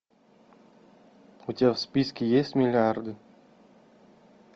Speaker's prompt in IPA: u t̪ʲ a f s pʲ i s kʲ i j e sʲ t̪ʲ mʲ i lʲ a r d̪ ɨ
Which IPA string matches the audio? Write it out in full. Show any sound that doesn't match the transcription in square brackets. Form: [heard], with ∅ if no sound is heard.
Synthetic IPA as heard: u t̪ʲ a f s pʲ i s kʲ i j e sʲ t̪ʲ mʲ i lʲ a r d̪ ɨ